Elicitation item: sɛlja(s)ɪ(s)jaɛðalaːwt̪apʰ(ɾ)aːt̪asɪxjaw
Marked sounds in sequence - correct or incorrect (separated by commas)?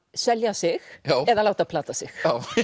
correct, incorrect, incorrect